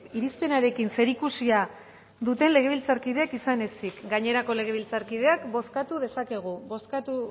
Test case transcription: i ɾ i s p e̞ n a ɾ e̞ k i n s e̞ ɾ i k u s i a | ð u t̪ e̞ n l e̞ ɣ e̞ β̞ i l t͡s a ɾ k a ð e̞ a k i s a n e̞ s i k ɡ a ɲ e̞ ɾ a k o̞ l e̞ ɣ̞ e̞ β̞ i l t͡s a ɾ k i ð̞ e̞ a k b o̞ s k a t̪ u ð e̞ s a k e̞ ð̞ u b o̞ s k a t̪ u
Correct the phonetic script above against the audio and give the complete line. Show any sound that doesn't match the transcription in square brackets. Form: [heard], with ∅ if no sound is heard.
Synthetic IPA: i ɾ i s p e̞ n a ɾ e̞ k i n s e̞ ɾ i k u s i a | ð u t̪ e̞ n l e̞ ɣ e̞ β̞ i l t͡s a ɾ k [i] ð e̞ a k i s a n e̞ s i k ɡ a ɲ e̞ ɾ a k o̞ l e̞ ɣ̞ e̞ β̞ i l t͡s a ɾ k i ð̞ e̞ a k b o̞ s k a t̪ u ð e̞ s a k e̞ [ɣ̞] u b o̞ s k a t̪ u